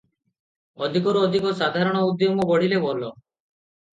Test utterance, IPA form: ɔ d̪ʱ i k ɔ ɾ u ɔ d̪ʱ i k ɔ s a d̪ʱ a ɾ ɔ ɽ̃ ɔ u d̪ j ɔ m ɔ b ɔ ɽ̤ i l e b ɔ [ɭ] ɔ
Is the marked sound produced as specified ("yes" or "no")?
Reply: no